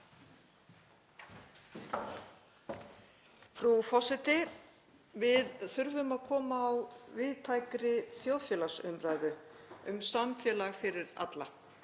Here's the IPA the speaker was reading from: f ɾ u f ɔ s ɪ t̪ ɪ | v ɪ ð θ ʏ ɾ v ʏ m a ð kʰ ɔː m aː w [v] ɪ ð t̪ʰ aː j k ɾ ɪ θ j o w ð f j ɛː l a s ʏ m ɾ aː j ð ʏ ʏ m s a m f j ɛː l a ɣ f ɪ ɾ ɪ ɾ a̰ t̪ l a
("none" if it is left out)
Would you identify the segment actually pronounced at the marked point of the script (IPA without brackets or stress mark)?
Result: v